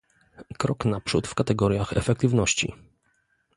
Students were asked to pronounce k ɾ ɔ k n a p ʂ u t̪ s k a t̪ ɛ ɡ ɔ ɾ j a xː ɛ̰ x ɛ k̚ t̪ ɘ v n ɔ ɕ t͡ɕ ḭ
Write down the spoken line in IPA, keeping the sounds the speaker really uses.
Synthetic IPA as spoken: k ɾ ɔ k n a p ʂ u t̪ f k a t̪ ɛ ɡ ɔ ɾ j a x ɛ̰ f ɛ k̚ t̪ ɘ v n ɔ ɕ t͡ɕ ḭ